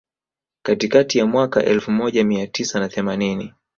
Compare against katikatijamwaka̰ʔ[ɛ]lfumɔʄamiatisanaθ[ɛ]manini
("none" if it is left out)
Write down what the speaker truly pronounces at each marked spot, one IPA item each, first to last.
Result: ɛ, ɛ

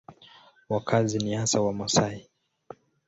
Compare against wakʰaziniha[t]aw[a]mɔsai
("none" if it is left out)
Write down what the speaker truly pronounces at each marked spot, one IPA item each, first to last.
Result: s, a

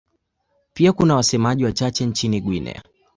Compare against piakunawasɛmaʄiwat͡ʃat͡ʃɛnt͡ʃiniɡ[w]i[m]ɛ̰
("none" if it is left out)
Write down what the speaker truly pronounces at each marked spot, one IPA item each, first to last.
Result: w, n

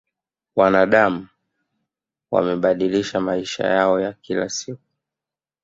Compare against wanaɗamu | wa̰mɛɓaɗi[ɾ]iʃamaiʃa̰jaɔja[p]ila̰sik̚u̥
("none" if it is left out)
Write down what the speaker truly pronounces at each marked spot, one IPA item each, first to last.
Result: l, k

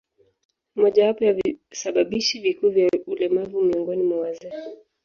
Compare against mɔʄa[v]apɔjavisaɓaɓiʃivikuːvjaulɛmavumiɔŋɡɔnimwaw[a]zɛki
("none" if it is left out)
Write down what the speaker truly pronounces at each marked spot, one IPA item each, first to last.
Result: w, a

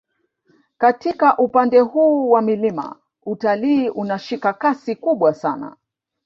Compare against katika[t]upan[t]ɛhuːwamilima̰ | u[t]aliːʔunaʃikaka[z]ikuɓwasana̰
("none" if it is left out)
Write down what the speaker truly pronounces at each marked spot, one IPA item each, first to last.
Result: ʔ, d, t, s

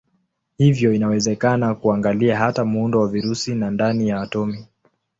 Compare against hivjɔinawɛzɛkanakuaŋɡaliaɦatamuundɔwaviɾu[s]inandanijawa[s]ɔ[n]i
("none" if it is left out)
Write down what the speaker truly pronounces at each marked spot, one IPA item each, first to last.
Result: s, t, m

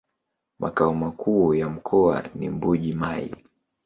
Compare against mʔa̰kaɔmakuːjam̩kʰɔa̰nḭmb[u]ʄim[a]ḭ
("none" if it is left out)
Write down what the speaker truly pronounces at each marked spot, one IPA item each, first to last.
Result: u, a

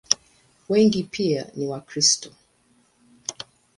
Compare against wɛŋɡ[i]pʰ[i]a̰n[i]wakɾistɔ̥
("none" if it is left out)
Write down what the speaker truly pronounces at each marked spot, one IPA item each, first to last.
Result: i, i, i

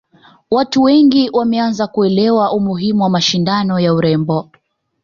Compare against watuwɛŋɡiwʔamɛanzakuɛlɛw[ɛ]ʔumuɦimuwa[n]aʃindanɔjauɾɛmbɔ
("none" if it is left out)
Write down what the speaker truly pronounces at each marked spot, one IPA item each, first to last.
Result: a, m

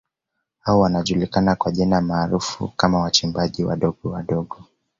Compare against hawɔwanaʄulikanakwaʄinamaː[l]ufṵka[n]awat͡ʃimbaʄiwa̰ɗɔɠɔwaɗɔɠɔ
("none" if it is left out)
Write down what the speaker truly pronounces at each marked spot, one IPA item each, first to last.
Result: ɾ, m

